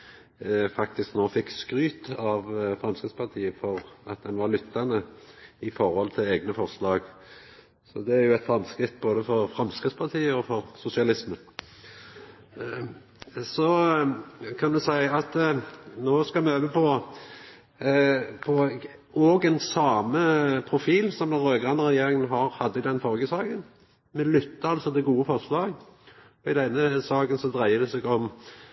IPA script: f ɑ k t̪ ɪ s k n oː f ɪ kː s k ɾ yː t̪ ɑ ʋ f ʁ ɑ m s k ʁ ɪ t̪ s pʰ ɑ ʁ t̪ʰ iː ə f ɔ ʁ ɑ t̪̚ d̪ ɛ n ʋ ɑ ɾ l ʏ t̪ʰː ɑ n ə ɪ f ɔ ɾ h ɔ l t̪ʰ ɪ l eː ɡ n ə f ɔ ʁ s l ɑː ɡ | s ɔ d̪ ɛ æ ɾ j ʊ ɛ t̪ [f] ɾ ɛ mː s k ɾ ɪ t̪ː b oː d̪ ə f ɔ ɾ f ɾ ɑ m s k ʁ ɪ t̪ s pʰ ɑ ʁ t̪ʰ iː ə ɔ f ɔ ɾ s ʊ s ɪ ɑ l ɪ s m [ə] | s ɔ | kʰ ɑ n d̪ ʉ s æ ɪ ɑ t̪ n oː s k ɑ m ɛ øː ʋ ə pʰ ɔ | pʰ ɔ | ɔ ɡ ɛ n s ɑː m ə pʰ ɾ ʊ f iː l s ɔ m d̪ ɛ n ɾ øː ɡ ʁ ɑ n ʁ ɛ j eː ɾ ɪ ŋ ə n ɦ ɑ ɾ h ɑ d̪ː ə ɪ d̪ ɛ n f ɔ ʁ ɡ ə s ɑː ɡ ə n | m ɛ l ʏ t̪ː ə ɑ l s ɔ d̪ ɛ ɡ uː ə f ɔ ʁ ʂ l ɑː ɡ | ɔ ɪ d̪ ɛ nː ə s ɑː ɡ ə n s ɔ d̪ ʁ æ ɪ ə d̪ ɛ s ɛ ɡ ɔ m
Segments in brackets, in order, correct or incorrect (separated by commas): correct, correct